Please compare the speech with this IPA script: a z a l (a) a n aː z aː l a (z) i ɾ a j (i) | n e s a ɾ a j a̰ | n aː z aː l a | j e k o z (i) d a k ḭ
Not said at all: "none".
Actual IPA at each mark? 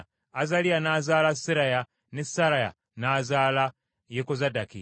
i, s, a, a

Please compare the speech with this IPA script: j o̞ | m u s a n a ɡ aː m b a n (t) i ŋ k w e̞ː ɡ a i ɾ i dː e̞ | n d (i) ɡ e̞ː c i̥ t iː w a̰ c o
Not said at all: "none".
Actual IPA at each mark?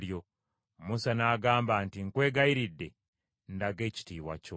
t, a

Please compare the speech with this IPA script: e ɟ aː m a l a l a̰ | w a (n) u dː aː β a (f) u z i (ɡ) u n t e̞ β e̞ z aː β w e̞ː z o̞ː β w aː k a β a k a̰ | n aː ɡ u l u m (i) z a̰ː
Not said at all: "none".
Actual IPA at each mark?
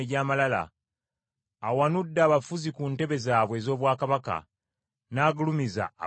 n, f, k, i

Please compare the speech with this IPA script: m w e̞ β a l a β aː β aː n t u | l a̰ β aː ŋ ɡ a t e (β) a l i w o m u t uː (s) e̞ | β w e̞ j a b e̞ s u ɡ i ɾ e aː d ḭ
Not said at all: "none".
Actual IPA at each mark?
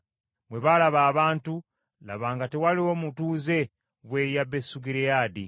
w, z

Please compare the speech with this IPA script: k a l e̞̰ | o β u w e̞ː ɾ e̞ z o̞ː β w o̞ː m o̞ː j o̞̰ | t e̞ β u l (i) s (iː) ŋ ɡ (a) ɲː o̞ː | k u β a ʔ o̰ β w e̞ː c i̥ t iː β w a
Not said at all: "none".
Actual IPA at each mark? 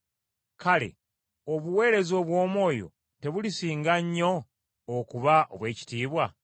i, iː, a

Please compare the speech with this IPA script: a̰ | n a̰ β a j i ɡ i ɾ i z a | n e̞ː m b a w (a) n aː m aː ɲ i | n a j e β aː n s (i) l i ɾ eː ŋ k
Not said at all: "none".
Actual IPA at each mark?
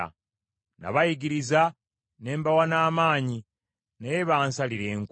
a, a

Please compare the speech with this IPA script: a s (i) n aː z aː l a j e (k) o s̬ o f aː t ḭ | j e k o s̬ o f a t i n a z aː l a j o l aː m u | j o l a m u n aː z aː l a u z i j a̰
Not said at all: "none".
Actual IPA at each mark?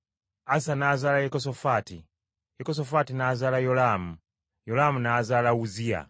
a, k

